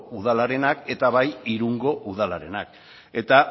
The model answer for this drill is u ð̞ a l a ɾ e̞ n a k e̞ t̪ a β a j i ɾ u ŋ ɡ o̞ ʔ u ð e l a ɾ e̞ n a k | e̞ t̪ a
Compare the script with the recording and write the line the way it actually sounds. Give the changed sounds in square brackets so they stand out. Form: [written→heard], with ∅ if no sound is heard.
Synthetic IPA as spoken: u ð̞ a l a ɾ e̞ n a k e̞ t̪ a β a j i ɾ u ŋ ɡ o̞ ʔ u ð [e→a] l a ɾ e̞ n a k | e̞ t̪ a